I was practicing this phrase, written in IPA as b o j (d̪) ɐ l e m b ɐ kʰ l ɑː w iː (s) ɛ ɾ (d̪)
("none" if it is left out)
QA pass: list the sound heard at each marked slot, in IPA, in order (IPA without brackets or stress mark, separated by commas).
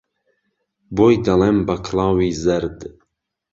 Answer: d̪, z, d̪